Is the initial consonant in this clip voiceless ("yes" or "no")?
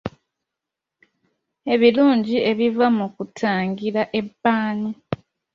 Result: no